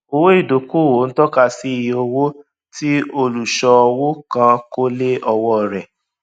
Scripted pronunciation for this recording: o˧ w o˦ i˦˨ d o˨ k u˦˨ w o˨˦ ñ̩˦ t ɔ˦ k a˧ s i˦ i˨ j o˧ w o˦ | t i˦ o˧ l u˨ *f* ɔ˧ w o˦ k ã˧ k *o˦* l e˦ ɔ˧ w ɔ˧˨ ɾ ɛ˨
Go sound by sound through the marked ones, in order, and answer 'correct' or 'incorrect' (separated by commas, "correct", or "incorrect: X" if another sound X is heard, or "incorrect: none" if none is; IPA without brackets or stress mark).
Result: incorrect: ʃ, correct